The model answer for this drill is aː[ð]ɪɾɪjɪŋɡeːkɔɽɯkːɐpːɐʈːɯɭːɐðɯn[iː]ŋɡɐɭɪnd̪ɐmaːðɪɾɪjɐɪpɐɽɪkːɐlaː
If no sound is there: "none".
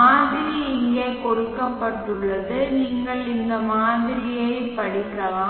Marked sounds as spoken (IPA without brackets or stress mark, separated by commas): ð, iː